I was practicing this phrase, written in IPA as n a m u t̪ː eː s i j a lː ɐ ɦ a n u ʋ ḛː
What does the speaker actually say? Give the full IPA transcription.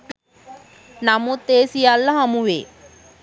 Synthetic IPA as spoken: n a m u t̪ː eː s i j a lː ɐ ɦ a m u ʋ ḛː